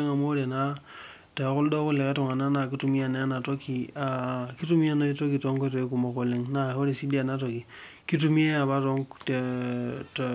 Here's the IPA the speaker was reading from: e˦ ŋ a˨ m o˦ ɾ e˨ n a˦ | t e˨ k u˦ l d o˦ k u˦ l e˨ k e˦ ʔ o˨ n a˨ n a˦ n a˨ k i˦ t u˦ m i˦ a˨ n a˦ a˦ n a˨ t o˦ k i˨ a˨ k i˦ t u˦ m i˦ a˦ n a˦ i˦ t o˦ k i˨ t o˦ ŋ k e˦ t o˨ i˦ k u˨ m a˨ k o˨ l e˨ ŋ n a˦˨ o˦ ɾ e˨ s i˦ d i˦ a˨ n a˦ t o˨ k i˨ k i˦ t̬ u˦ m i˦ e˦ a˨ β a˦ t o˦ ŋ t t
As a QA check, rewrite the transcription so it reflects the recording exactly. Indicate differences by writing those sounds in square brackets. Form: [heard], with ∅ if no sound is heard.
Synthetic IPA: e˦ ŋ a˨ m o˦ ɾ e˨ n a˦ | t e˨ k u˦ l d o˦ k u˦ l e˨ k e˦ [t] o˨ [ŋ] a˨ n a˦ n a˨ k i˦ t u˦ m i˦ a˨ n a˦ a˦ n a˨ t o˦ k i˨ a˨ k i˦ t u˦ m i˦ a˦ n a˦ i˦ t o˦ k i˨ t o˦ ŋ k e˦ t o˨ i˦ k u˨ m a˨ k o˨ l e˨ ŋ n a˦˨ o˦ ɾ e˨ s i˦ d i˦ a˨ n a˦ t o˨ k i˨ k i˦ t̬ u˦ m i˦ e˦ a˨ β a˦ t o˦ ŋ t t